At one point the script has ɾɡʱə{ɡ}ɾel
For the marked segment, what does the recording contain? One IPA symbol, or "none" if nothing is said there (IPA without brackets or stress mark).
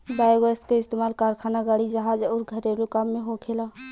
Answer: none